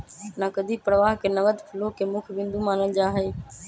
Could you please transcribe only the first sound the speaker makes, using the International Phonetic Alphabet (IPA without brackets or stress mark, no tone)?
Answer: n